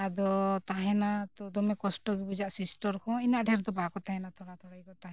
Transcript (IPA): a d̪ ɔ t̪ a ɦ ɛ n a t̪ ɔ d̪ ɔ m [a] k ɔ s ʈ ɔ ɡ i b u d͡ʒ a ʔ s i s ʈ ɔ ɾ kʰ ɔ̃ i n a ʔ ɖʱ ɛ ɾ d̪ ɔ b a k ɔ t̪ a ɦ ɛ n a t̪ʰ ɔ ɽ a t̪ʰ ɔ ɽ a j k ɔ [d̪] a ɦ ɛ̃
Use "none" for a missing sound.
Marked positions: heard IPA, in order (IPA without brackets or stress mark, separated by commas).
ɛ, t̪